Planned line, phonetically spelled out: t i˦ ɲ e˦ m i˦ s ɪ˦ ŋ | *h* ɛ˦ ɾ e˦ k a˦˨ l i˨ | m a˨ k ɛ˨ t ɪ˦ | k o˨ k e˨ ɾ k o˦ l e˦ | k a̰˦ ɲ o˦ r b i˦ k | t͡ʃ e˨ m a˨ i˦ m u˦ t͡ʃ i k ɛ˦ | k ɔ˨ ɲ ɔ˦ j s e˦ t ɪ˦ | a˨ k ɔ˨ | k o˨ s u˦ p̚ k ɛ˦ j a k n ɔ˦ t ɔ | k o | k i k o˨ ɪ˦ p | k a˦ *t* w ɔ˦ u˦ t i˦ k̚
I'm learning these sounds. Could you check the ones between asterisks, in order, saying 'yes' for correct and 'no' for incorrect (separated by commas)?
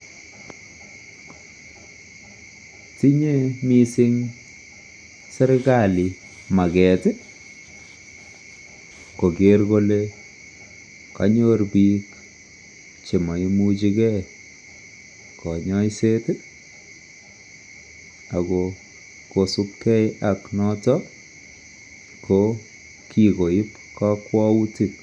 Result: no, no